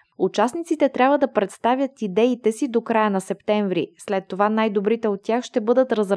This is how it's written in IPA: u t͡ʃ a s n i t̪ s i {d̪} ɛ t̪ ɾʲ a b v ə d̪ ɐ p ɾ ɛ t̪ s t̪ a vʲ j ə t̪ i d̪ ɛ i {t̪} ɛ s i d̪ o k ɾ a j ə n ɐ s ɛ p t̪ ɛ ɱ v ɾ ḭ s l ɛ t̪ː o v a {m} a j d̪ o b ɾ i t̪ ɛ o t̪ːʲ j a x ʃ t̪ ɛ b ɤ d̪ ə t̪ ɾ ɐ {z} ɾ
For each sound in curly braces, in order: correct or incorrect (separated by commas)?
incorrect, correct, incorrect, correct